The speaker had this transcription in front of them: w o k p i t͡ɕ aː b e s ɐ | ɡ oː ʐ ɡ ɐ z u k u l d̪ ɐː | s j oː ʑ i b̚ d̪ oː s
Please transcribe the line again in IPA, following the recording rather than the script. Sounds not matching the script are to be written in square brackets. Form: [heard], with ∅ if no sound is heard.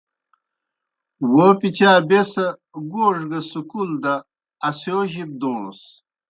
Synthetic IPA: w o [∅] p i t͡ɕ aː b e s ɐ | ɡ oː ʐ ɡ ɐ [s] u k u l d̪ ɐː | s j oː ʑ i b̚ d̪ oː s